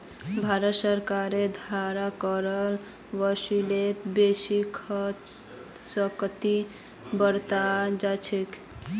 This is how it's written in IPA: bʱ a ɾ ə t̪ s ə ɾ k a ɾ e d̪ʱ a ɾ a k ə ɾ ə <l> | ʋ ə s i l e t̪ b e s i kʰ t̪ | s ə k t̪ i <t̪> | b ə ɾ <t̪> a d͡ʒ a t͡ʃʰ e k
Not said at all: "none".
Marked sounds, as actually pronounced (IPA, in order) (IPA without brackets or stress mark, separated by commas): l, none, t̪